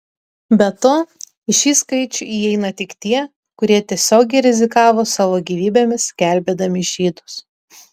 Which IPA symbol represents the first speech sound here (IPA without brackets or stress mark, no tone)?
bʲ